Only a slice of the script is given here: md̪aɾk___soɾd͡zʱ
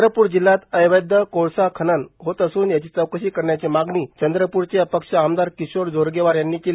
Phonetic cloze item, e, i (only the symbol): i